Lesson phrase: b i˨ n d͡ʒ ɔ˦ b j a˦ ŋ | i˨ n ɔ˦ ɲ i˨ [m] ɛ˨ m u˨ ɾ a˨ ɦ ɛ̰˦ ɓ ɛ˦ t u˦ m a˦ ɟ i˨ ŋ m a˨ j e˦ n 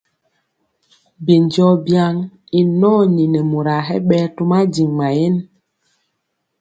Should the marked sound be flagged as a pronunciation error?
yes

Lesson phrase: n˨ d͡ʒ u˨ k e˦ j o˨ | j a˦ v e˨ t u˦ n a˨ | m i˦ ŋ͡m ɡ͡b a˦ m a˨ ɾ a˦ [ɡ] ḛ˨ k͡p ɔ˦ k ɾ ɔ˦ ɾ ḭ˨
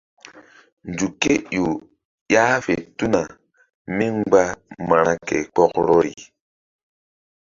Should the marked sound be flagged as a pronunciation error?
yes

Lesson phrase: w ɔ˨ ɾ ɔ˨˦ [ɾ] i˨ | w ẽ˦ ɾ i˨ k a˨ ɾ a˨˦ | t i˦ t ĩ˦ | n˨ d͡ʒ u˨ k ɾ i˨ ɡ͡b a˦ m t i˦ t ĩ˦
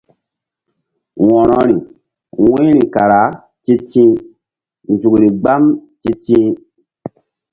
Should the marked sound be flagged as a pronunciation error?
no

